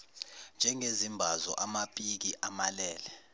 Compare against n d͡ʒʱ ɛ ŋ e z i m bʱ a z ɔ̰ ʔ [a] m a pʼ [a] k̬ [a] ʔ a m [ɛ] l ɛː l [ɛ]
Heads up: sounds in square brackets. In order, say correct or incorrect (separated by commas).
correct, incorrect, incorrect, incorrect, correct